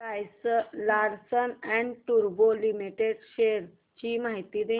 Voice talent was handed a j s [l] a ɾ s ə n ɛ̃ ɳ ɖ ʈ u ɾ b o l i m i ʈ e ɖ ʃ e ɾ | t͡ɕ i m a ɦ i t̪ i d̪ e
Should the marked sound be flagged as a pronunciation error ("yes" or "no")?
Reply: no